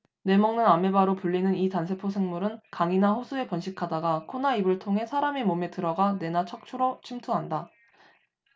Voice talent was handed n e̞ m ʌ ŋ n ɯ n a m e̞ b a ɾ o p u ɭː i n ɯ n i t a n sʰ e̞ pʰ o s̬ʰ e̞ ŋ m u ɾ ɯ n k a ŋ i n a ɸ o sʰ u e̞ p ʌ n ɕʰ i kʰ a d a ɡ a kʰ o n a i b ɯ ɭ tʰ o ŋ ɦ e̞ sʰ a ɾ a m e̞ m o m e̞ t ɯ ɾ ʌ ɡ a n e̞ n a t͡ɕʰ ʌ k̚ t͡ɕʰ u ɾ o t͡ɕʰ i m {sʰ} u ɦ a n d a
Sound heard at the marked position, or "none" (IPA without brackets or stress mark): tʰ